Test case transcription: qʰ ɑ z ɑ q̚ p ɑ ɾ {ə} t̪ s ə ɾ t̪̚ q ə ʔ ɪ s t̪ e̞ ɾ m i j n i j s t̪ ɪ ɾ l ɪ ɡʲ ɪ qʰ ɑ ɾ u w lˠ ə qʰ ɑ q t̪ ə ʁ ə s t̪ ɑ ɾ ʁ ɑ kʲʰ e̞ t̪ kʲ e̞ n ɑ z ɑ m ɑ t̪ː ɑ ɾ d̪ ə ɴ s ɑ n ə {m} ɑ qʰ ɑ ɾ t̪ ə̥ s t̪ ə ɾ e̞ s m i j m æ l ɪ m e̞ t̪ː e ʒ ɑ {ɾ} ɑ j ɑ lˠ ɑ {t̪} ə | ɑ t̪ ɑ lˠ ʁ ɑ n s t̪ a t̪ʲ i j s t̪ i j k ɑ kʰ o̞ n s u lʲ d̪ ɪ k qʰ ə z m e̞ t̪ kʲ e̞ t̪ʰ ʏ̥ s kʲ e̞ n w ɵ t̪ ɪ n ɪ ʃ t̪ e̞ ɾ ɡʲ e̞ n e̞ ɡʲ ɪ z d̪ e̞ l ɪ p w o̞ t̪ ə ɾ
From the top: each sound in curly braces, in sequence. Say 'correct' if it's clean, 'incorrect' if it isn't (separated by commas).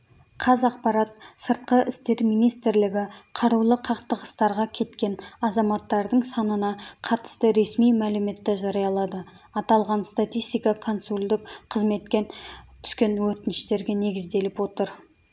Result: incorrect, incorrect, correct, incorrect